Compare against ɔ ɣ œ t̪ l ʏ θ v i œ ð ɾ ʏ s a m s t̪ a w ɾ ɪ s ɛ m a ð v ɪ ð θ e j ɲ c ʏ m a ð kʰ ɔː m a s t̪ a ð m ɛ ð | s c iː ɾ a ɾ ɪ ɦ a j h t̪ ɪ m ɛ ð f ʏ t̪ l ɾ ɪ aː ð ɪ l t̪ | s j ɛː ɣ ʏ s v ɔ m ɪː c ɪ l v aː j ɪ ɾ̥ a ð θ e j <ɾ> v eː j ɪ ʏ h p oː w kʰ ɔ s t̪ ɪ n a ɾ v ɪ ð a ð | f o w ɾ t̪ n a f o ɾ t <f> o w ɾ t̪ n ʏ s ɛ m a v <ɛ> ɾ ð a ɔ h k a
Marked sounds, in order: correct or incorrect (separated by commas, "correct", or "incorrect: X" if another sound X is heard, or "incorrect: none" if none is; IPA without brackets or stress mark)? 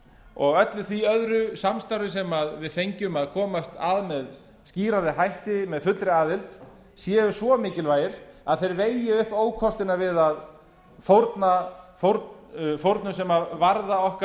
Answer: correct, correct, incorrect: a